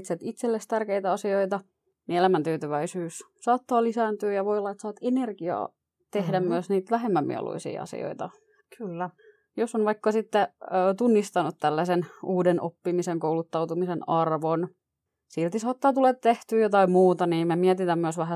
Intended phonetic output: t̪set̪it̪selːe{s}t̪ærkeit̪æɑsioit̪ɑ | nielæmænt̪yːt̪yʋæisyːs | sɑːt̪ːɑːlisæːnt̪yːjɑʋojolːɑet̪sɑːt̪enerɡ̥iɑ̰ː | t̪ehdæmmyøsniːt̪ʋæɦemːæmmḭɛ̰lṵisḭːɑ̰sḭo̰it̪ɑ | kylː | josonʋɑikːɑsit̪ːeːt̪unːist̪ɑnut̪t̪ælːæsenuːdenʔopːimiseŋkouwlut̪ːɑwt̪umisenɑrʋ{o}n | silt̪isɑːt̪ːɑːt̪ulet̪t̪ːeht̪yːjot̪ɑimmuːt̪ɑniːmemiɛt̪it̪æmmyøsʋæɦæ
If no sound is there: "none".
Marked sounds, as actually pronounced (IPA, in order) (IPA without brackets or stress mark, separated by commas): s, o